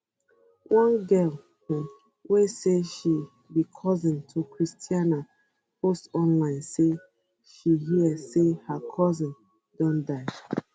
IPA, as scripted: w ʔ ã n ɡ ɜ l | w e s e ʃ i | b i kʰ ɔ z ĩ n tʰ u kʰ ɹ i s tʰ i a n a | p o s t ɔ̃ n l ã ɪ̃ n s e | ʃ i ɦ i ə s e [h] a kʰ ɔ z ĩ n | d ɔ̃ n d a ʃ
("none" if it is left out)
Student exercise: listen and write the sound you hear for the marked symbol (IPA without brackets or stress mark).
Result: h